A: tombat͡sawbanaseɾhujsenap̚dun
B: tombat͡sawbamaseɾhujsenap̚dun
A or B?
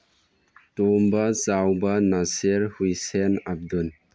A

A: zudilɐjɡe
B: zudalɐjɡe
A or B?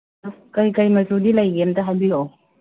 A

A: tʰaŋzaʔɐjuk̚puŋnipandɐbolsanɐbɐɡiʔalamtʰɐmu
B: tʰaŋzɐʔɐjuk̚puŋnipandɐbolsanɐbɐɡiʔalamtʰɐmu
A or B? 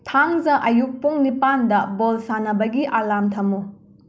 B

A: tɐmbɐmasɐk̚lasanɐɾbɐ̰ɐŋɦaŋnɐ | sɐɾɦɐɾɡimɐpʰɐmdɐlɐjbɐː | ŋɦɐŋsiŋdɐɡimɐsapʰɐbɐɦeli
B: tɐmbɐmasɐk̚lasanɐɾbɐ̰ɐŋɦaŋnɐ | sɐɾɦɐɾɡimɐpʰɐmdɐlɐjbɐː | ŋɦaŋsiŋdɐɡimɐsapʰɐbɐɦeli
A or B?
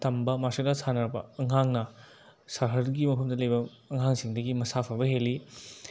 B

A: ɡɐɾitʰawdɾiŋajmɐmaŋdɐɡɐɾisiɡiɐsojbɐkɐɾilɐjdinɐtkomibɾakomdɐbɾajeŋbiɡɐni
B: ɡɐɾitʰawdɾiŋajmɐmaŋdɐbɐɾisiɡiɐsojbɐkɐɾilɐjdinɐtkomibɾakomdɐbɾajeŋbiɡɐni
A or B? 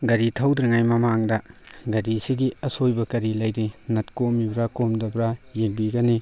A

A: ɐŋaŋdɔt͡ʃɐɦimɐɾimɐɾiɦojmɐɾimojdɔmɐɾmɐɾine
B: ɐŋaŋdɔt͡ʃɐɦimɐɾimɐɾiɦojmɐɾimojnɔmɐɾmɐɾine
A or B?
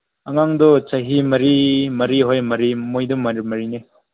A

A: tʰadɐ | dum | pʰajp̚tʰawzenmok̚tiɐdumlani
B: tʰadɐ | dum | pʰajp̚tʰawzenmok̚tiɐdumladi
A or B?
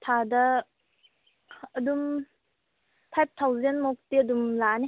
A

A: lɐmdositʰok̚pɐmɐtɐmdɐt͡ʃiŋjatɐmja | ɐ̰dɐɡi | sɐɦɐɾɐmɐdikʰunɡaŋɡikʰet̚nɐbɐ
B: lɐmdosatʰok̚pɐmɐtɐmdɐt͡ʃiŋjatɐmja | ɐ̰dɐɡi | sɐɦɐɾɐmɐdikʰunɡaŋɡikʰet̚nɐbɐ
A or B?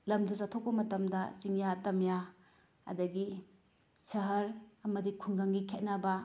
B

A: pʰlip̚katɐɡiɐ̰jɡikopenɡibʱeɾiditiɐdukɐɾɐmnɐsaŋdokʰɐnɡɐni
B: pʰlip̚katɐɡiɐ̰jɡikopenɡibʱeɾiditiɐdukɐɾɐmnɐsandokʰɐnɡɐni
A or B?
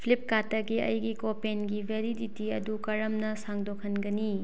A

